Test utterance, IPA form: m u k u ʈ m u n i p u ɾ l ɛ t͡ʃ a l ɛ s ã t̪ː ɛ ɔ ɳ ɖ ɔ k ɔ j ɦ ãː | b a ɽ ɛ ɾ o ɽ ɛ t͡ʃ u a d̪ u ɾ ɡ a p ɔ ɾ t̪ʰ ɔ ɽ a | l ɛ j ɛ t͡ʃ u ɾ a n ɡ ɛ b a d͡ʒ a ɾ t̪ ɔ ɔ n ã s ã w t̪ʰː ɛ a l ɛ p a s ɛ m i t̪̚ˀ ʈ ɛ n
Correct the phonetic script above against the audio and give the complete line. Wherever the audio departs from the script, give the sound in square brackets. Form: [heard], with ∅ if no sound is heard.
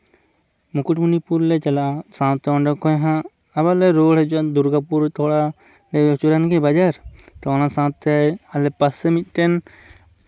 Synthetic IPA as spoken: m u k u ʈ m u n i p u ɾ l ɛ t͡ʃ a l [a] s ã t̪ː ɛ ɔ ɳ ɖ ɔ k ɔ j ɦ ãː | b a [l] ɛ ɾ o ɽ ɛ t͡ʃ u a d̪ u ɾ ɡ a p [u] ɾ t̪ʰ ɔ ɽ a | l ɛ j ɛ t͡ʃ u ɾ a n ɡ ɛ b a d͡ʒ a ɾ t̪ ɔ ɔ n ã s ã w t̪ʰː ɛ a l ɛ p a s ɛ m i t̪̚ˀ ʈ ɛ n

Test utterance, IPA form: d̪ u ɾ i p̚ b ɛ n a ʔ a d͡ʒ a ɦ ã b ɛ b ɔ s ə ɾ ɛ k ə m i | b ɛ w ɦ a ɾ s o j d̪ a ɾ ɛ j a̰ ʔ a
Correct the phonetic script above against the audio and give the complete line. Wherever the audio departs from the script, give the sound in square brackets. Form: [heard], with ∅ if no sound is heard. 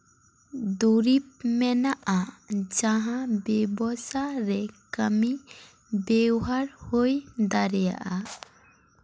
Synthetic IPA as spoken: d̪ u ɾ i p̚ [m] ɛ n a ʔ a d͡ʒ a ɦ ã b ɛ b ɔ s [a] ɾ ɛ k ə m i | b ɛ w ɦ a ɾ [h] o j d̪ a ɾ ɛ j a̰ ʔ a

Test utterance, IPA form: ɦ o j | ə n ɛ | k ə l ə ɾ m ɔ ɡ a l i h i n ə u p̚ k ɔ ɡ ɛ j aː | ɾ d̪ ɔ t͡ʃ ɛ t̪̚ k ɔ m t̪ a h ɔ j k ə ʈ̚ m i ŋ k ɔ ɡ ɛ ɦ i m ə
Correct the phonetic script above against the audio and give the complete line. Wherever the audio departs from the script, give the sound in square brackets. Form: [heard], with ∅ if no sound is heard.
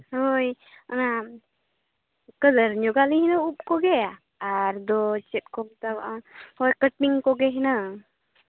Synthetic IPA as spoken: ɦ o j | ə n [a] | k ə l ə ɾ [ɲ] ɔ ɡ a l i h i n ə u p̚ k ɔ ɡ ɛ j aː | ɾ d̪ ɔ t͡ʃ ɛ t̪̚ k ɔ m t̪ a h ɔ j k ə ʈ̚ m i ŋ k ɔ ɡ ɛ ɦ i [n] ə

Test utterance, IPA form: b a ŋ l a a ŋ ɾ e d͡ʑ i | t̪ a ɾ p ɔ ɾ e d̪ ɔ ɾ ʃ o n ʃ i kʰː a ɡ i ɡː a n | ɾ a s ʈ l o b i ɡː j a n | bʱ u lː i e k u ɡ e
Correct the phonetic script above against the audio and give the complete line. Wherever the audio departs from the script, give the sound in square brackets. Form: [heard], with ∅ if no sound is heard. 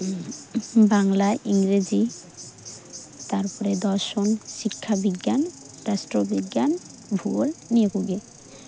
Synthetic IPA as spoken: b a ŋ l a [i] ŋ ɾ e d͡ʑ i | t̪ a ɾ p ɔ ɾ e d̪ ɔ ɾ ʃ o n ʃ i kʰː a [b] i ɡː a n | ɾ a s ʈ [ɾ] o b i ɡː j a n | bʱ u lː i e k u ɡ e

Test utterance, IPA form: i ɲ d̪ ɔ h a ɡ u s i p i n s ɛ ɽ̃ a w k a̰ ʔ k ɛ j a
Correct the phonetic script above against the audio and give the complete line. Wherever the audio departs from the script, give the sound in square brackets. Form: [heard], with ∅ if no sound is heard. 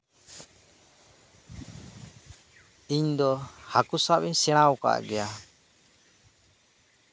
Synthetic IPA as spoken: i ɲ d̪ ɔ h a [k] u s [a] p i [ɲ] s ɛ ɽ̃ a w k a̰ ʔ [ɡ] ɛ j a

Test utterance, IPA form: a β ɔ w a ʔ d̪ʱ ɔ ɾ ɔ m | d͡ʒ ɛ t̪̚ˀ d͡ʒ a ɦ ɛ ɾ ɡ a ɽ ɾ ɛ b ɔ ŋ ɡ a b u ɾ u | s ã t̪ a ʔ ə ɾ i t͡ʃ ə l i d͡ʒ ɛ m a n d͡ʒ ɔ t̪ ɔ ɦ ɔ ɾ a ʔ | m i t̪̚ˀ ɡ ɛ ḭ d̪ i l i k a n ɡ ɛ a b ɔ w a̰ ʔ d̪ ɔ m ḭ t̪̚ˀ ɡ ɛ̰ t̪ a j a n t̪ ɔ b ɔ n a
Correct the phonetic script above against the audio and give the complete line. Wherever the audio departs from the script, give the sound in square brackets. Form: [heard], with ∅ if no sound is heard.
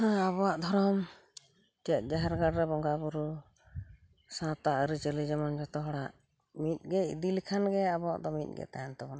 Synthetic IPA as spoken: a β ɔ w a ʔ d̪ʱ ɔ ɾ ɔ m | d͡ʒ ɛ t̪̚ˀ d͡ʒ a ɦ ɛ ɾ ɡ a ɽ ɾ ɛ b ɔ ŋ ɡ a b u ɾ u | s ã t̪ a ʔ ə ɾ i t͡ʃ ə l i d͡ʒ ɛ m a n d͡ʒ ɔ t̪ ɔ ɦ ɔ [ɽ] a ʔ | m i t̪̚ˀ ɡ ɛ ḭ d̪ i l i [kʰ] a n ɡ ɛ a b ɔ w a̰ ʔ d̪ ɔ m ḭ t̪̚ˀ ɡ ɛ̰ t̪ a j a n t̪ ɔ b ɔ n a

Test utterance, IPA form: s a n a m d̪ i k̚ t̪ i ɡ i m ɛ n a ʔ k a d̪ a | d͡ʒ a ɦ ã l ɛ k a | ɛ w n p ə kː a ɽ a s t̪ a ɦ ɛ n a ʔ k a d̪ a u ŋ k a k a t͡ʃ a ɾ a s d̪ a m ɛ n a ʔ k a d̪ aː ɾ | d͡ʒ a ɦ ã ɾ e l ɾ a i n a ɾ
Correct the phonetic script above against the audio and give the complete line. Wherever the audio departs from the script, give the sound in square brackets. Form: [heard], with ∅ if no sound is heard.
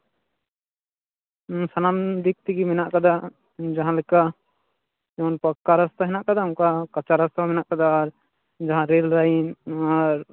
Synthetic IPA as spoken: s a n a m d̪ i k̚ t̪ i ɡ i m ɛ n a ʔ k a d̪ a | d͡ʒ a ɦ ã l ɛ k a | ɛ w n p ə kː a [ɾ] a s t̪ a ɦ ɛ n a ʔ k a d̪ a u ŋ k a k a t͡ʃ a ɾ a s [t̪] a m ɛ n a ʔ k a d̪ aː ɾ | d͡ʒ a ɦ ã ɾ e l ɾ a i n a ɾ

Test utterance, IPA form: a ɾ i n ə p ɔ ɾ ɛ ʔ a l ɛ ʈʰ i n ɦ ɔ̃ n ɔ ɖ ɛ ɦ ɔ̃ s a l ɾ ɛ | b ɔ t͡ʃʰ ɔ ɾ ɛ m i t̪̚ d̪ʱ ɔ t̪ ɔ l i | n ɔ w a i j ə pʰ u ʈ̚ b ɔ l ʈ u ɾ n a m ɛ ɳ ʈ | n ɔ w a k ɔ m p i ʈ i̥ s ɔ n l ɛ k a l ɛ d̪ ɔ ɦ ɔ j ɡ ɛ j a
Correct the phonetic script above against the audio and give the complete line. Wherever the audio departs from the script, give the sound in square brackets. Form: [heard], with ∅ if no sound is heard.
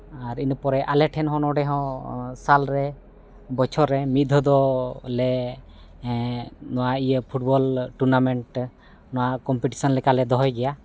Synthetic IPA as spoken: a ɾ i n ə p ɔ ɾ ɛ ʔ a l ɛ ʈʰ [ɛ] n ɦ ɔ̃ n ɔ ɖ ɛ ɦ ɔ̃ s a l ɾ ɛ | b ɔ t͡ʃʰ ɔ ɾ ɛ m i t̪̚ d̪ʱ ɔ [d̪] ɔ l [ɛ] | n ɔ w a i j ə pʰ u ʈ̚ b ɔ l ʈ u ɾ n a m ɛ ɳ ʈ | n ɔ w a k ɔ m p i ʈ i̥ s ɔ n l ɛ k a l ɛ d̪ ɔ ɦ ɔ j ɡ ɛ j a

